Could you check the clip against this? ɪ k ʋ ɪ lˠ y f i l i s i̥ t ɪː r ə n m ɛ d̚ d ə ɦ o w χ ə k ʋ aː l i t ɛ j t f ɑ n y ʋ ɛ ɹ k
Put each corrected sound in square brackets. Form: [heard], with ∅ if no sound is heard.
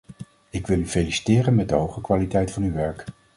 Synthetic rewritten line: ɪ k ʋ ɪ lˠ y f [e] l i s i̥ t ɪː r ə n m ɛ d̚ d ə ɦ o w χ ə k ʋ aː l i t ɛ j t f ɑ n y ʋ ɛ ɹ k